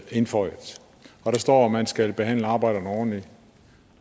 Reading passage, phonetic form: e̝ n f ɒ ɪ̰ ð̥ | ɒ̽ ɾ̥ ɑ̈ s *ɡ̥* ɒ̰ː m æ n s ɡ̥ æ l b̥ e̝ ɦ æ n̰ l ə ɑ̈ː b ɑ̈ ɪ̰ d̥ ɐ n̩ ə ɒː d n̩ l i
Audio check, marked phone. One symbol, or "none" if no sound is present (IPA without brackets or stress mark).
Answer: d̥